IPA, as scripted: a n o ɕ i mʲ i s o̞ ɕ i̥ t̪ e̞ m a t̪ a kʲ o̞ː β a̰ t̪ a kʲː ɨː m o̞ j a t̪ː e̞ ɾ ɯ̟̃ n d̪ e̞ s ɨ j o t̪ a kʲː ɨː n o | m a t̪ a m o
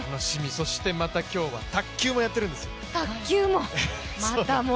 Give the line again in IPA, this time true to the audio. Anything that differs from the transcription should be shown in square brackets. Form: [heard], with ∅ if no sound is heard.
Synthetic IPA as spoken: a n o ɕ i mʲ i s o̞ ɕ i̥ t̪ e̞ m a t̪ a kʲ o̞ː β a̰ t̪ a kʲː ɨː m o̞ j a t̪ː e̞ ɾ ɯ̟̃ n d̪ e̞ s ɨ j o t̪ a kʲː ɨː [m] o | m a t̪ a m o